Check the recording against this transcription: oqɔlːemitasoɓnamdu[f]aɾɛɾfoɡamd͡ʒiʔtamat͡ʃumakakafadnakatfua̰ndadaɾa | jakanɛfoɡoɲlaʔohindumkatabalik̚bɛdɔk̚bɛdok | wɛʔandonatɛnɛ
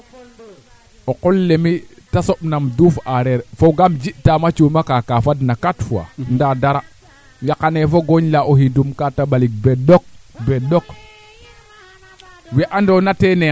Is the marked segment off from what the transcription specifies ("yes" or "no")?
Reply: no